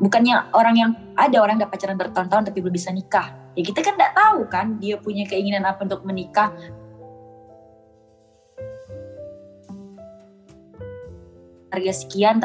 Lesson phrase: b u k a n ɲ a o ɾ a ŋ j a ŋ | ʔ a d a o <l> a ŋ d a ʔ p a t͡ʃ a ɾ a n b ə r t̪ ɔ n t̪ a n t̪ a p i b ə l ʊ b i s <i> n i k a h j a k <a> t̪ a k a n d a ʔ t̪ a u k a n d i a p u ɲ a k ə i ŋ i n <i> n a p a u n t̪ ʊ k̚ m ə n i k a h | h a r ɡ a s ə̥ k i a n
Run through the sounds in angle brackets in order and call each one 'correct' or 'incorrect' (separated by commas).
incorrect, incorrect, incorrect, incorrect